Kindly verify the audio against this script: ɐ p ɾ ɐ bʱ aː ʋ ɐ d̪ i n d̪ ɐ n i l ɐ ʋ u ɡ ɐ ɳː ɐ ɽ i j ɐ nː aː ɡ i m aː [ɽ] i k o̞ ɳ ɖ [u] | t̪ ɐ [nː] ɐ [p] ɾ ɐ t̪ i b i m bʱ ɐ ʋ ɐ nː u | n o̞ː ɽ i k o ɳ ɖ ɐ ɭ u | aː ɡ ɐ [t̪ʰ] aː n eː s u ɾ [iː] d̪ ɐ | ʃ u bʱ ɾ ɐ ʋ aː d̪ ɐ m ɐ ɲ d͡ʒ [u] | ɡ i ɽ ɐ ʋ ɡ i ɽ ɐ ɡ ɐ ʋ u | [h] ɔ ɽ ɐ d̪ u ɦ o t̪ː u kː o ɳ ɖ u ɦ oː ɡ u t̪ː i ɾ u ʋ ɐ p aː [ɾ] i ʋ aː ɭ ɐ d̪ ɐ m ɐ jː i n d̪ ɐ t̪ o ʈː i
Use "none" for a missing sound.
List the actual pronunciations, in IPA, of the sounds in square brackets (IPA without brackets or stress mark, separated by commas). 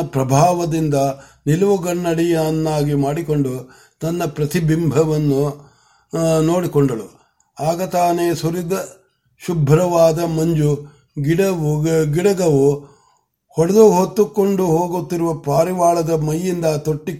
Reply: ɽ, u, nː, p, t̪, i, u, h, ɾ